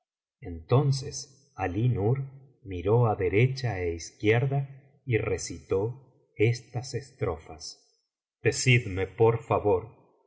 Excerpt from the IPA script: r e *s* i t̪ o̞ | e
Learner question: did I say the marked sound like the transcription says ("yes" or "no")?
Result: yes